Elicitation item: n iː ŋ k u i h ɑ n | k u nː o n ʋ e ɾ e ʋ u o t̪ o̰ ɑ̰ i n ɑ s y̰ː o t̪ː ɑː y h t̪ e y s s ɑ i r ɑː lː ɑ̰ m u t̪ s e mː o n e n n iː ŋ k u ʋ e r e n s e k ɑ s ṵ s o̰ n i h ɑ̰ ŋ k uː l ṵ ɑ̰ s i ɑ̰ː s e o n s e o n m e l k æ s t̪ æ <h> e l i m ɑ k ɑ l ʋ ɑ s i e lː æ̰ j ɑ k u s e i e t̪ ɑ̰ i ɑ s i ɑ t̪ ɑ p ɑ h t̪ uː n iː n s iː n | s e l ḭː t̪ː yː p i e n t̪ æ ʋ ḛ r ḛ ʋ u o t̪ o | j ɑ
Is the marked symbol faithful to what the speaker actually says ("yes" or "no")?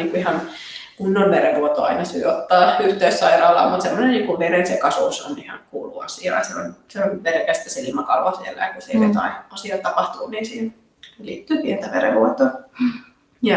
no